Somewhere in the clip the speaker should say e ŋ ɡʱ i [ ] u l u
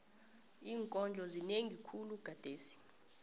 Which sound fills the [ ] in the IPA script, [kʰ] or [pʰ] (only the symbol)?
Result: kʰ